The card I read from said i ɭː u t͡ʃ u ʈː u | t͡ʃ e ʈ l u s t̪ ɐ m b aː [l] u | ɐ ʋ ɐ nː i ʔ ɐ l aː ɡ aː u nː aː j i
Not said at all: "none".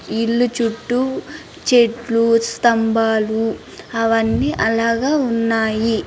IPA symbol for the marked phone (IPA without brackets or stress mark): l